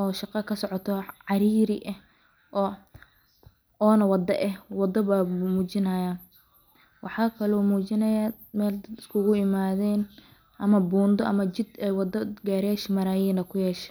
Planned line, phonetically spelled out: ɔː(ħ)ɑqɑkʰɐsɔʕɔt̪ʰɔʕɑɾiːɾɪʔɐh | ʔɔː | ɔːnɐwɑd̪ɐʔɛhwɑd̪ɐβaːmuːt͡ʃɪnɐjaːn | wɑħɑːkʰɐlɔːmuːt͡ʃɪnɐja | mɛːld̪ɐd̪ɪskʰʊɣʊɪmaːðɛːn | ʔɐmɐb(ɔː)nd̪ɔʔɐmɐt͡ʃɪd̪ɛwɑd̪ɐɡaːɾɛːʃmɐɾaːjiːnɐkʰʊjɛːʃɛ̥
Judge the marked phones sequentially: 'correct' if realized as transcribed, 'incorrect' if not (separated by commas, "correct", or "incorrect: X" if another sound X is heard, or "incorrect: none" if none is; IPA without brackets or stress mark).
incorrect: ʃ, incorrect: uː